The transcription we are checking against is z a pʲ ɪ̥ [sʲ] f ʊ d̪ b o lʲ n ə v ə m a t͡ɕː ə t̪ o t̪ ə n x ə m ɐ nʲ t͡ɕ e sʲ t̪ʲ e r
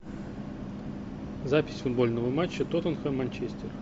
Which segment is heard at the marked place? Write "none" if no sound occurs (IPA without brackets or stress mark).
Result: sʲ